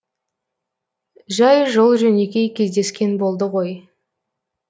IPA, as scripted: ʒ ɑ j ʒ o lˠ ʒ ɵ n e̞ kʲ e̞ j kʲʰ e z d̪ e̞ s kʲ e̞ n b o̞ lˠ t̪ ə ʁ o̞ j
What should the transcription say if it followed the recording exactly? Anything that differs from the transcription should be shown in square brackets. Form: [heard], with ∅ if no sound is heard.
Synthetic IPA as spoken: ʒ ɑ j ʒ o lˠ ʒ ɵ n e̞ kʲ e̞ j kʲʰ e z d̪ e̞ s kʲ e̞ n b o̞ lˠ [d̪] ə ʁ o̞ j

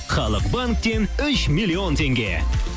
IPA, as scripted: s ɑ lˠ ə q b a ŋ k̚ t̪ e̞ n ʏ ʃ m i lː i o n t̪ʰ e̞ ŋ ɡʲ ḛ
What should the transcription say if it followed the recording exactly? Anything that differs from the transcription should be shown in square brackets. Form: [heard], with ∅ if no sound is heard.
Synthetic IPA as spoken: [χ] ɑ lˠ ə q b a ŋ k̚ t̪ e̞ n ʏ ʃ m i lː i o n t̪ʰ e̞ ŋ ɡʲ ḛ

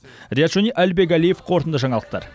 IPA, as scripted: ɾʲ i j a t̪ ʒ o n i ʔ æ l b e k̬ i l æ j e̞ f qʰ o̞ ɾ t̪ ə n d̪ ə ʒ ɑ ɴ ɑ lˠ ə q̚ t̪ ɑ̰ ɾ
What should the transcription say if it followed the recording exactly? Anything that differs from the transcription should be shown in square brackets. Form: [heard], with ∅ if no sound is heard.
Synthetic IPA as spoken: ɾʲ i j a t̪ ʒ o n i ʔ æ l b e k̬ [æ] l [i] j e̞ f qʰ o̞ ɾ t̪ ə n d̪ ə ʒ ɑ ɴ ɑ lˠ ə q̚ t̪ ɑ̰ ɾ

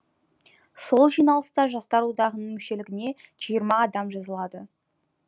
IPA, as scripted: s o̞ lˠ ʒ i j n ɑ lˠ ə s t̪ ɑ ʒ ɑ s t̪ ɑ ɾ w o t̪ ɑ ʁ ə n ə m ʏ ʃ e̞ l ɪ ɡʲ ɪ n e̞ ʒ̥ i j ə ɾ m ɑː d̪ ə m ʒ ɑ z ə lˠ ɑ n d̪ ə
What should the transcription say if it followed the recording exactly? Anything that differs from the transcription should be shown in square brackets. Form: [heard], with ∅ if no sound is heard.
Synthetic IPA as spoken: s o̞ lˠ ʒ i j n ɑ lˠ ə s t̪ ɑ ʒ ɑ s t̪ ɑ ɾ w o [d̪] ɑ ʁ ə n ə m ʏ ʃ e̞ l ɪ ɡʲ ɪ n e̞ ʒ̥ i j ə ɾ m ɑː d̪ [ɑ] m ʒ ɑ z ə lˠ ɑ [∅] d̪ ə

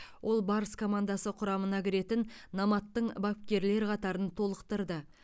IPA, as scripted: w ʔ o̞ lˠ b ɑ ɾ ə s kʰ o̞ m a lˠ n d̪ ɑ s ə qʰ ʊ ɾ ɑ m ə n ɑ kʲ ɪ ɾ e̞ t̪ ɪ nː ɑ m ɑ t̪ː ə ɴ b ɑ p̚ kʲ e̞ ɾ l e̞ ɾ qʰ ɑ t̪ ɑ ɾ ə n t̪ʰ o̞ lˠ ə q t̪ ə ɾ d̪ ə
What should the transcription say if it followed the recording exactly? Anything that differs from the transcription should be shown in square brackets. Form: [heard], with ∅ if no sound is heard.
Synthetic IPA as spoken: w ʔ o̞ lˠ b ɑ ɾ ə s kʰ o̞ m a [∅] n d̪ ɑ s ə qʰ ʊ ɾ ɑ m ə n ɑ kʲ ɪ ɾ e̞ t̪ ɪ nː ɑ m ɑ t̪ː ə ɴ b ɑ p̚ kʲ e̞ ɾ l e̞ ɾ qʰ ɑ t̪ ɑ ɾ ə n t̪ʰ o̞ lˠ ə q t̪ ə ɾ d̪ ə

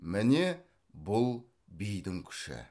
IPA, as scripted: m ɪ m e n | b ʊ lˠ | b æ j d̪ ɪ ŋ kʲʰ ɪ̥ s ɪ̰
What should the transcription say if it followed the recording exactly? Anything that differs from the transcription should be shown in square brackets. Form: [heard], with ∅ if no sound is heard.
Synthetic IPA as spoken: m ɪ [n] e [∅] | b ʊ lˠ | b [i] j d̪ ɪ ŋ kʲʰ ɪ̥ [ʃ] ɪ̰

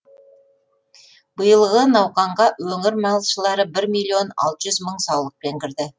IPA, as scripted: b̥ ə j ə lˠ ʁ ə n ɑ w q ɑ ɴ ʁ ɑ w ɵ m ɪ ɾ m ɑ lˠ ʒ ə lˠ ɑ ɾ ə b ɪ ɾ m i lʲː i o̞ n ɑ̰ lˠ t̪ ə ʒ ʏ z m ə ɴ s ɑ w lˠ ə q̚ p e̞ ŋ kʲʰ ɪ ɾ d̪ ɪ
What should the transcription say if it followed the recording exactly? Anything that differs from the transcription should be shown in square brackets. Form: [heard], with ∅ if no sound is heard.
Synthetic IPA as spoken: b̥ ə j ə lˠ ʁ ə n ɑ w q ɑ ɴ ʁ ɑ w ɵ [ŋ] ɪ ɾ m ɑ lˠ [ʃ] ə lˠ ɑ ɾ ə b ɪ ɾ m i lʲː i o̞ n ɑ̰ lˠ t̪ ə ʒ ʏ z m ə ɴ s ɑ w lˠ ə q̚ p e̞ ŋ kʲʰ ɪ ɾ d̪ ɪ

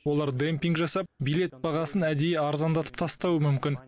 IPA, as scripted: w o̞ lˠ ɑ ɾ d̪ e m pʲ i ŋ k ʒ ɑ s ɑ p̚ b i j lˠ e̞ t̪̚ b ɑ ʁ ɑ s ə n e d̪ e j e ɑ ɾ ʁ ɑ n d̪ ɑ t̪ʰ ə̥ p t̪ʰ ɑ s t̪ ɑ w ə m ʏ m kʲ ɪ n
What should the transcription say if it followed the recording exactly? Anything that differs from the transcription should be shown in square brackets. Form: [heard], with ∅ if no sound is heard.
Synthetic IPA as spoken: w o̞ lˠ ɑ ɾ d̪ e m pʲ i ŋ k ʒ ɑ s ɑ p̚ b i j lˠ e̞ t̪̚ b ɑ ʁ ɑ s ə n [æ] d̪ e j e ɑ ɾ [z] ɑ n d̪ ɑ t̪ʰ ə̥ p t̪ʰ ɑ s t̪ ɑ w ə m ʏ m kʲ ɪ n

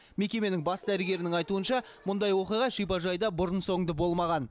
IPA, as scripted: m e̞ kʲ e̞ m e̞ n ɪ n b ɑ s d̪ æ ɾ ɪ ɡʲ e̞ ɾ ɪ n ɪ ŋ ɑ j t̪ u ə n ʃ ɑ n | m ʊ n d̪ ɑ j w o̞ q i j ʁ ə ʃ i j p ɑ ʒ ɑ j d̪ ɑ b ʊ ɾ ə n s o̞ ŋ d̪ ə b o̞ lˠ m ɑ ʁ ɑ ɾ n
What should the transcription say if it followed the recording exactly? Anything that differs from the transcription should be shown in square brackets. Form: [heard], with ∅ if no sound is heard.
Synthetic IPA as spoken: m e̞ kʲ e̞ m e̞ n ɪ [ŋ] b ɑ s d̪ æ ɾ ɪ ɡʲ e̞ ɾ ɪ n ɪ ŋ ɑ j t̪ u ə n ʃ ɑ [∅] | m ʊ n d̪ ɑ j w o̞ q i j ʁ [ɑ] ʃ i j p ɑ ʒ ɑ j d̪ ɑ b ʊ ɾ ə n s o̞ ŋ d̪ ə b o̞ lˠ m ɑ ʁ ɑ [∅] n

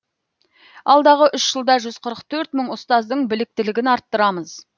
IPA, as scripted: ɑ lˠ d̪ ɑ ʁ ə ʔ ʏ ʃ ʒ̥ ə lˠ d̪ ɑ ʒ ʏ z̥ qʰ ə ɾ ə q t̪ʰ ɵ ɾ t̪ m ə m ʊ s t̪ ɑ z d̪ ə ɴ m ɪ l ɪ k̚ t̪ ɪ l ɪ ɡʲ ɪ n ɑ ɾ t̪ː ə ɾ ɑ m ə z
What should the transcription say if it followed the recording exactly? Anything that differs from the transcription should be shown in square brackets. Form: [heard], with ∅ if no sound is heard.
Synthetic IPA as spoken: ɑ lˠ d̪ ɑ ʁ ə ʔ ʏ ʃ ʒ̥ ə lˠ d̪ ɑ ʒ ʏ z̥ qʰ ə ɾ ə q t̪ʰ ɵ ɾ t̪ m ə [ɴ] ʊ s t̪ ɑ z d̪ ə ɴ [b] ɪ l ɪ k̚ t̪ ɪ l ɪ ɡʲ ɪ n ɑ ɾ t̪ː ə ɾ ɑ m ə z

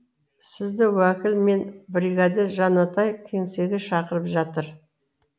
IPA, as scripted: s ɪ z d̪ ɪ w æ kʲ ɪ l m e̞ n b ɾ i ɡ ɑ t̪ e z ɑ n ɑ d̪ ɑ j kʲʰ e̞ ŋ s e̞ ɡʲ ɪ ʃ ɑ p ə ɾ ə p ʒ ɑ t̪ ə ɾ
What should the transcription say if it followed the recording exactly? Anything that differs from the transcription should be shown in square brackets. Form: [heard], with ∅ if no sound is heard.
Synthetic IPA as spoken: s ɪ z d̪ ɪ w æ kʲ ɪ l m e̞ n b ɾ i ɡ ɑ [d̪] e [ʒ] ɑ n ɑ [t̪] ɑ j kʲʰ e̞ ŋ s e̞ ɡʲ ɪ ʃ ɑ [q] ə ɾ ə p ʒ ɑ t̪ ə ɾ

